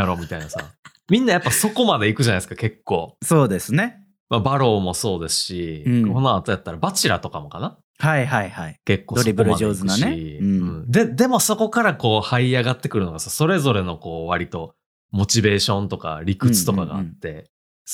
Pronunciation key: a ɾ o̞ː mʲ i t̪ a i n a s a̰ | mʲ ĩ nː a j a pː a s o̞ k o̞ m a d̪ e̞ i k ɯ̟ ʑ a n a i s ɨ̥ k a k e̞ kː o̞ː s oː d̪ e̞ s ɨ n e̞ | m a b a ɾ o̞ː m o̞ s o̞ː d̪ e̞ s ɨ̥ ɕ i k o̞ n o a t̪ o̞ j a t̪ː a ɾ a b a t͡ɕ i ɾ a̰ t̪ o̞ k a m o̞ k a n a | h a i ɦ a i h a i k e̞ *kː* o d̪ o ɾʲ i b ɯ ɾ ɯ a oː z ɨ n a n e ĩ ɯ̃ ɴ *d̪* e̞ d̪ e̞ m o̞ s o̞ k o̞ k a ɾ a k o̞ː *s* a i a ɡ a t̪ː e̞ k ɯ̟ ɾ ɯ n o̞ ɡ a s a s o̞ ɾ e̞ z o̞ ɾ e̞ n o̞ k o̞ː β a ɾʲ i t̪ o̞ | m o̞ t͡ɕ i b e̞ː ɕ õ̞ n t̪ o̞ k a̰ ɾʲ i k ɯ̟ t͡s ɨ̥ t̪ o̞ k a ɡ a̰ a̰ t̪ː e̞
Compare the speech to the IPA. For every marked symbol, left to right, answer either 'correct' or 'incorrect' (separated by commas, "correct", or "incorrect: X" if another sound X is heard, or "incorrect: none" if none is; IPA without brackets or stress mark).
correct, correct, incorrect: h